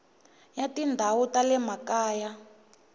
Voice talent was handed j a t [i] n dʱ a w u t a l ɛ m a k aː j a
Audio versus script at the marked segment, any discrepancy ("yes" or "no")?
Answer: no